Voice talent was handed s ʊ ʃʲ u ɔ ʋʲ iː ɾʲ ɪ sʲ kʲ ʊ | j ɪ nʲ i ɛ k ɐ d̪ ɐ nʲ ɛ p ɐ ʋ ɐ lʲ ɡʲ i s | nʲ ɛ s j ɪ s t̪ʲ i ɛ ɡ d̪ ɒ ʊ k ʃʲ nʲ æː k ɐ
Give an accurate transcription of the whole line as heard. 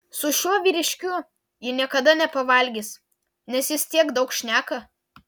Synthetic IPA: s ʊ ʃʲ u ɔ ʋʲ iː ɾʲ ɪ ʃʲ kʲ ʊ | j ɪ nʲ i ɛ k ɐ d̪ ɐ nʲ ɛ p ɐ ʋ ɐ lʲ ɡʲ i s | nʲ ɛ s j ɪ s t̪ʲ i ɛ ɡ d̪ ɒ ʊ k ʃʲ nʲ æː k ɐ